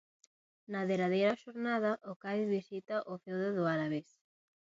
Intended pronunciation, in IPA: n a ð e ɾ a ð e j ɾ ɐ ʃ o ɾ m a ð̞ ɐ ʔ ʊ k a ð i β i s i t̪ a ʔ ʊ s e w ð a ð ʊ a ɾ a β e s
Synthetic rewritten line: n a ð e ɾ a ð e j ɾ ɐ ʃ o ɾ n a ð̞ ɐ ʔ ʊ k a ð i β i s i t̪ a ʔ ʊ f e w ð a ð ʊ a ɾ a β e s